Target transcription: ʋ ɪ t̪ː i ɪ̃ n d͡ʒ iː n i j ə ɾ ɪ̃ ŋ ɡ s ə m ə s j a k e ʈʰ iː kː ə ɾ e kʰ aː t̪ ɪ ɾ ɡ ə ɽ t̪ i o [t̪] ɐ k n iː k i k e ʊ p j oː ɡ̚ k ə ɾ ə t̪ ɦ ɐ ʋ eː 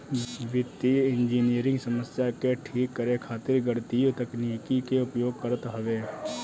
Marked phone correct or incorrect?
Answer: correct